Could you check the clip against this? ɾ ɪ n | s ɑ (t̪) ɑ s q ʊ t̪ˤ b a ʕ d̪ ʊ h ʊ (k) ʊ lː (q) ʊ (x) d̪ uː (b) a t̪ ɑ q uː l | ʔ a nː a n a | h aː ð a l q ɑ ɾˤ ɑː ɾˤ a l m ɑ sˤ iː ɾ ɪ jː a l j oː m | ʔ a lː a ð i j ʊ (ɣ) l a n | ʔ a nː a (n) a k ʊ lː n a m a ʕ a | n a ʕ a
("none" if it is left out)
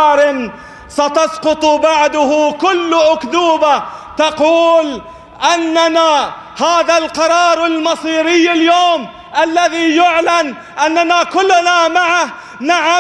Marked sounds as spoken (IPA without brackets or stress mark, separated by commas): t̪, k, ʔ, k, b, ʕ, n